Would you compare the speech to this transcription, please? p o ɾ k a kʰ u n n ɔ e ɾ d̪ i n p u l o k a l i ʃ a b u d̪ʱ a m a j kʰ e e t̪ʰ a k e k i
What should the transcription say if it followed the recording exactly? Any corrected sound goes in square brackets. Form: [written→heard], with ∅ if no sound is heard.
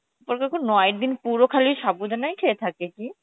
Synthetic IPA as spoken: p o ɾ k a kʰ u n n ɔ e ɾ d̪ i n p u [l→ɾ] o [k→kʰ] a l i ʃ a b u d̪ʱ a [m→n] a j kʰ e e t̪ʰ a k e k i

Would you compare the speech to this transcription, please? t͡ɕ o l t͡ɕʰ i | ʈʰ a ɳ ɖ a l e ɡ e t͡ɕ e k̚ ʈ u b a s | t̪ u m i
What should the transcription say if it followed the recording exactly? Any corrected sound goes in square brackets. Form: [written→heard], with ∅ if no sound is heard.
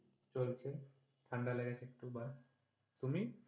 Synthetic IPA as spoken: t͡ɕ o l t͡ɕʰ [i→e] | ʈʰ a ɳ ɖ a l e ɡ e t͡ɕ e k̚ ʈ u b a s | t̪ u m i

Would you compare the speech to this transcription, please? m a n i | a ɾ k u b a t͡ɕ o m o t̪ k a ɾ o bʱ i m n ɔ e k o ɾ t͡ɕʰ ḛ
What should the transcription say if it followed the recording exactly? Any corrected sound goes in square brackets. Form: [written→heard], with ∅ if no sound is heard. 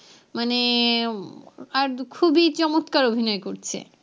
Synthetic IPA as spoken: m a n [i→e] | a ɾ [k→kʰ] u b [a→i] t͡ɕ [o→ɔ] m o t̪ k a ɾ o bʱ i [m→∅] n ɔ e k o ɾ t͡ɕʰ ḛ

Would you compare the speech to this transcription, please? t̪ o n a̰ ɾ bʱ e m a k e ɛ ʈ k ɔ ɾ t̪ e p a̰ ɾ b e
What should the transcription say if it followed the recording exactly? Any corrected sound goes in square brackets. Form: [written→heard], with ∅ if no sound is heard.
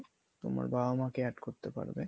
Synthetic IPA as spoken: t̪ o [n→m] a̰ ɾ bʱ [e→a] m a k e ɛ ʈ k [ɔ→o] ɾ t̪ e p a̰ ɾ b e

